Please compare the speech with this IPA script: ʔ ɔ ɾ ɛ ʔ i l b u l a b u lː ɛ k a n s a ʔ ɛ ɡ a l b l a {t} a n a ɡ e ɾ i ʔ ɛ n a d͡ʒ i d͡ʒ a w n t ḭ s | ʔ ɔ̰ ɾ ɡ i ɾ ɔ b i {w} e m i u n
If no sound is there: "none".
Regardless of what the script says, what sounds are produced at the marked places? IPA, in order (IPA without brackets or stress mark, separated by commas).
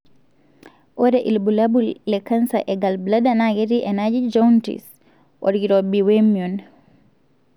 d, w